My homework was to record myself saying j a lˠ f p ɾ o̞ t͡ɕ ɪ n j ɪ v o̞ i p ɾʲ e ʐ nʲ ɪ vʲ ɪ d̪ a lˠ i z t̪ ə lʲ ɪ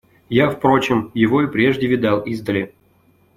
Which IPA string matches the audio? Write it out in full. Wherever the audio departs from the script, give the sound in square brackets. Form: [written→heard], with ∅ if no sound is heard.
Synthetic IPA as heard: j a [lˠ→∅] f p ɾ o̞ t͡ɕ ɪ [n→m] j ɪ v o̞ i p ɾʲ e ʐ [nʲ→dʲ] ɪ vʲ ɪ d̪ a lˠ i z [t̪→d̪] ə lʲ ɪ